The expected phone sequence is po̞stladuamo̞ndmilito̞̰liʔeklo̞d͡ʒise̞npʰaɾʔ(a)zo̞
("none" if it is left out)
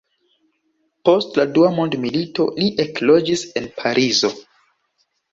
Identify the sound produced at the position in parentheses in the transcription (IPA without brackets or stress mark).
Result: i